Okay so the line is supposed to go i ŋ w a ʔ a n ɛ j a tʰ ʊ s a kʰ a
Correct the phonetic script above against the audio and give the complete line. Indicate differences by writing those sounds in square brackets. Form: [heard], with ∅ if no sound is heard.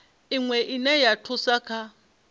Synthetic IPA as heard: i ŋ w [ɛ] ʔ [i] n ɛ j a tʰ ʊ s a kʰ a